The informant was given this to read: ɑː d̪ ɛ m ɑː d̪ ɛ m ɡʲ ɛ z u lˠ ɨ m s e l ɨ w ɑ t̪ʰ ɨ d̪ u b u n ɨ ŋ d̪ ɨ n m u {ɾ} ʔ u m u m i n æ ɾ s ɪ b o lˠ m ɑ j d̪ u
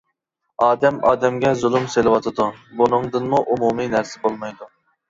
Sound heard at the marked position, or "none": none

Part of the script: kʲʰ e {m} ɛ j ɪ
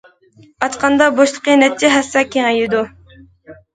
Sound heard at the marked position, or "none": ŋ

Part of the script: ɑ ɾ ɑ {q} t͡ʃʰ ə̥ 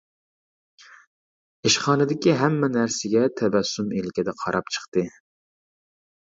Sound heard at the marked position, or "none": p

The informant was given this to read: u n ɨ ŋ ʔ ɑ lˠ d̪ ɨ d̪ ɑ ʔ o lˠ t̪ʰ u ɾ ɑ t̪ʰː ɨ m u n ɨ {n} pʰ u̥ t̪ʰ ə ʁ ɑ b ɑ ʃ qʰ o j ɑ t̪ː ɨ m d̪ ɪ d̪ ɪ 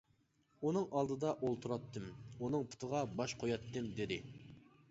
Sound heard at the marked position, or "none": ŋ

